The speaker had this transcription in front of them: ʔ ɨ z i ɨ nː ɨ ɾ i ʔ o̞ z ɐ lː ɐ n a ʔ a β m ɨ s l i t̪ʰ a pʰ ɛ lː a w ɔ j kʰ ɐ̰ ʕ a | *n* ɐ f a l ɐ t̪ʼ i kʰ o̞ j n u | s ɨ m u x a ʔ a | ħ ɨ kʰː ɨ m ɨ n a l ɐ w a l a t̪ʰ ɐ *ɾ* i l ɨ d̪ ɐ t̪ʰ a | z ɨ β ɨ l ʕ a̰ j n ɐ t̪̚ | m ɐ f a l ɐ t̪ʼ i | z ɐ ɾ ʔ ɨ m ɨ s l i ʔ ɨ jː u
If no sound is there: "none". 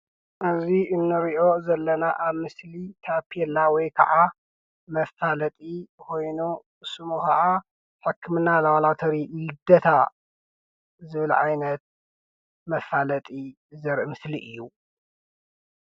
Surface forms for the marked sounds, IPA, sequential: m, ɾ

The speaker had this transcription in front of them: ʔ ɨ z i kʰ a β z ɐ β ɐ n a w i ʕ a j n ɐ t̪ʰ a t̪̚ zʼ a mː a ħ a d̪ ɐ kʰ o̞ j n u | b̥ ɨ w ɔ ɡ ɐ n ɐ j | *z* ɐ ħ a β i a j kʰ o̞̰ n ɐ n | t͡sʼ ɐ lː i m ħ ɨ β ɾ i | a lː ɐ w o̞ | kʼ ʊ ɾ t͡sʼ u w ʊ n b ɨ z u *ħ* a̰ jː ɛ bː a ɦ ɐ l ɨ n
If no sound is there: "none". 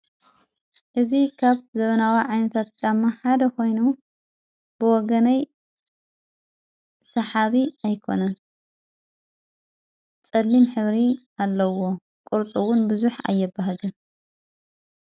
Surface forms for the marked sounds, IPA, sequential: s, ħ

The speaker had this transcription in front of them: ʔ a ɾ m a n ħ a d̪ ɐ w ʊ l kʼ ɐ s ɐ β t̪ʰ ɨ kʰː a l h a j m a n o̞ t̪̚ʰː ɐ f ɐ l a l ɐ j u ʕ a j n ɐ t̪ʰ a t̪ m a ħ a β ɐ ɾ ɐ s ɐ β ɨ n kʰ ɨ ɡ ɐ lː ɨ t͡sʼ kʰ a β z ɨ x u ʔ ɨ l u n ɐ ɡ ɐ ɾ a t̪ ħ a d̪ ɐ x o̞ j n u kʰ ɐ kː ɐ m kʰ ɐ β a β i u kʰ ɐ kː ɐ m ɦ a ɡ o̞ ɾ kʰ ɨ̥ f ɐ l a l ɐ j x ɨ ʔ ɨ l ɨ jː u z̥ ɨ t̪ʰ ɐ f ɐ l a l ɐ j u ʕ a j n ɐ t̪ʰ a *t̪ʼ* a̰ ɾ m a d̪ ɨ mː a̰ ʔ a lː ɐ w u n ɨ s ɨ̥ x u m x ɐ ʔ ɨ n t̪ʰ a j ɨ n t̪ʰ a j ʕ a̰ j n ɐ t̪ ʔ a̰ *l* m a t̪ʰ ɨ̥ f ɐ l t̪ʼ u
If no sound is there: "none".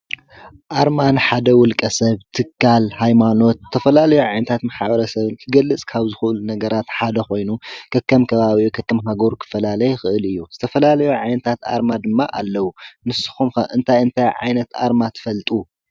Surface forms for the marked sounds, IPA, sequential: t̪, ɾ

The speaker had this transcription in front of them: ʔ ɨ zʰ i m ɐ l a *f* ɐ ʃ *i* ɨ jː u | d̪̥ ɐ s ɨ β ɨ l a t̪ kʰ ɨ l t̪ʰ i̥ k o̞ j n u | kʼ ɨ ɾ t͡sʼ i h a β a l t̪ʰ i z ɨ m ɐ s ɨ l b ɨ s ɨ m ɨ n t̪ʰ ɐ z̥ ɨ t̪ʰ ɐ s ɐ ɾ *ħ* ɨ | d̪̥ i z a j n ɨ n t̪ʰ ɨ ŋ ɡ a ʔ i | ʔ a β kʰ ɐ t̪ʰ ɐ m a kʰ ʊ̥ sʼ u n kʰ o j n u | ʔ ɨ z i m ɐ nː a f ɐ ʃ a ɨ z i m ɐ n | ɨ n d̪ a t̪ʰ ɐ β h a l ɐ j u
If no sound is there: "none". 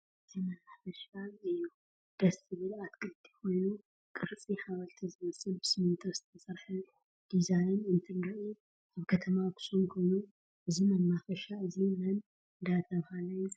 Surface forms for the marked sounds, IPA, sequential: f, a, ħ

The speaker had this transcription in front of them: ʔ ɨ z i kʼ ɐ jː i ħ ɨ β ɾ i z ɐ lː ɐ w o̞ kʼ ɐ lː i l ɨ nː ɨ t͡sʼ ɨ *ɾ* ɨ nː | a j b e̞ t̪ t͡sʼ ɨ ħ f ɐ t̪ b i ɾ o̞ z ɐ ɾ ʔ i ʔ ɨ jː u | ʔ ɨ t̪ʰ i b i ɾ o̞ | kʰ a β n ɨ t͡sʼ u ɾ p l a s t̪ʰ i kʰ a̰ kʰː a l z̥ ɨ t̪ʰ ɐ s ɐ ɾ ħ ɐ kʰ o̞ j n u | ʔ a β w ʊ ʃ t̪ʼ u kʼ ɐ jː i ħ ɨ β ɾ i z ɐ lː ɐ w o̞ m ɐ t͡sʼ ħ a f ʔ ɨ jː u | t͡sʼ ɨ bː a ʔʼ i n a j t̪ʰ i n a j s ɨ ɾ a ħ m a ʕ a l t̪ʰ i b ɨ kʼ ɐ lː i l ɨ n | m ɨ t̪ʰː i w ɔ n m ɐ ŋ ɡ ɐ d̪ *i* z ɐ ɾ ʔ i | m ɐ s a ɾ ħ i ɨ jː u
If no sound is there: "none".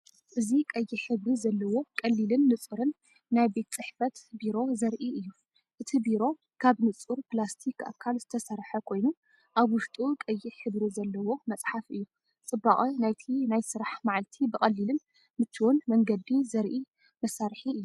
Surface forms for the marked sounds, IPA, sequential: ɾ, i

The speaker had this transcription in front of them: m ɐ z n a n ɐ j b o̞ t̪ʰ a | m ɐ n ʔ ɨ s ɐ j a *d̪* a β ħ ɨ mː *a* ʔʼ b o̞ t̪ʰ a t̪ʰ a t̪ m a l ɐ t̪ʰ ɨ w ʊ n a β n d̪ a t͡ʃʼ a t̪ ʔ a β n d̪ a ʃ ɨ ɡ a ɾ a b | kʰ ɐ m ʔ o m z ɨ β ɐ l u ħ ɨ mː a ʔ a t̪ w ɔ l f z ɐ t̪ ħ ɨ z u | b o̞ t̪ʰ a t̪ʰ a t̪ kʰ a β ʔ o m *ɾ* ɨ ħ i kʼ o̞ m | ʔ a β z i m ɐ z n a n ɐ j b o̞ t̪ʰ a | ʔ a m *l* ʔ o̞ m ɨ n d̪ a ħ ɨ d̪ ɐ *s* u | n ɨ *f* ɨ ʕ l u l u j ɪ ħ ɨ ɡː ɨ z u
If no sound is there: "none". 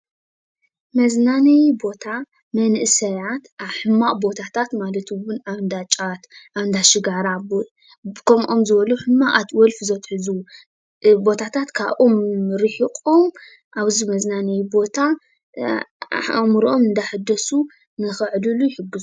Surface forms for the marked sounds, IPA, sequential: t̪, a, ɾ, ɾ, s, x

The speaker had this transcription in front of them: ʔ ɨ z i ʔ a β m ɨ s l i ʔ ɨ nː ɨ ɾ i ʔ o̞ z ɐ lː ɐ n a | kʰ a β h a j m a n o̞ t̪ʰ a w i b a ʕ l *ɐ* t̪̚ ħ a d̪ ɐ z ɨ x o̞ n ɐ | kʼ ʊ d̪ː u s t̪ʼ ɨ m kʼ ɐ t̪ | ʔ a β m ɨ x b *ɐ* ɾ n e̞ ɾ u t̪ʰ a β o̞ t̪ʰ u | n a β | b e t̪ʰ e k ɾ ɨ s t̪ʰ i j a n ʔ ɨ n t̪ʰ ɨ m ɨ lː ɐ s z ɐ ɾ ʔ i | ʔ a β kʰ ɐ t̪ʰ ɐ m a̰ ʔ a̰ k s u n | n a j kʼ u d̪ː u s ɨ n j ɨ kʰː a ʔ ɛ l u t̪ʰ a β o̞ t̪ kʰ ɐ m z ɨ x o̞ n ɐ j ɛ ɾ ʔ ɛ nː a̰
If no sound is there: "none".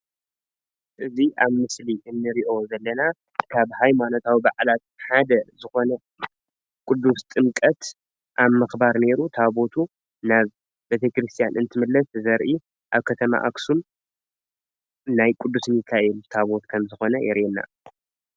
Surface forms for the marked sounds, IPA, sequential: a, a

